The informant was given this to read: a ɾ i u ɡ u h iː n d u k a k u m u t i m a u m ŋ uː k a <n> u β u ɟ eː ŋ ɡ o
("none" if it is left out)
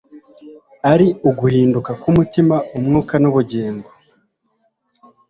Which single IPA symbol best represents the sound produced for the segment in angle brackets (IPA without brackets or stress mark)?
n